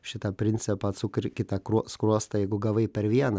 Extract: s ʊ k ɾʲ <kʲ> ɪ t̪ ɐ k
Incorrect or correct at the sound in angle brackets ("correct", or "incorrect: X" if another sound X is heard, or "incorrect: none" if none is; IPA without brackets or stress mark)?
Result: correct